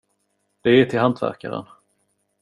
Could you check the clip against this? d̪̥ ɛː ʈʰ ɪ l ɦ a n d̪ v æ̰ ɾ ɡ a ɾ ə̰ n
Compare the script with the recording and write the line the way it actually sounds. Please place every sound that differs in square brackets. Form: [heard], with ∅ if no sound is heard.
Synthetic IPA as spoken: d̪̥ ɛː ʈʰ ɪ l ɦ a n [t̪] v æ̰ ɾ [k] a ɾ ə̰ n